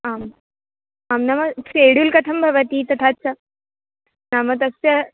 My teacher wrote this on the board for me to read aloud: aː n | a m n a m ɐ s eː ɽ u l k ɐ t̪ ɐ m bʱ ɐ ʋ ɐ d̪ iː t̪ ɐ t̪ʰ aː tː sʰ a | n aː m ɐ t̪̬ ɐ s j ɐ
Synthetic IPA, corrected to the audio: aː m | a m n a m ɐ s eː ɽ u l k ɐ t̪ʰ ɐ m bʱ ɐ ʋ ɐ t̪ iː t̪ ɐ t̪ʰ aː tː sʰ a | n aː m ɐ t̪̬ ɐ s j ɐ